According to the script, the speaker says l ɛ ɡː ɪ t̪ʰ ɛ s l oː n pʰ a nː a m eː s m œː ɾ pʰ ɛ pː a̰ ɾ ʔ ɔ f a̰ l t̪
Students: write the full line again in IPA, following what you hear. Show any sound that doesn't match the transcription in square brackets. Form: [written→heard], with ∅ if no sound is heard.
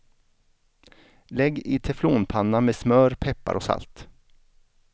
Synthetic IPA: l ɛ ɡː ɪ t̪ʰ ɛ [s→f] l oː n pʰ a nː a m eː s m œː ɾ pʰ ɛ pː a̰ ɾ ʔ ɔ [f→s] a̰ l t̪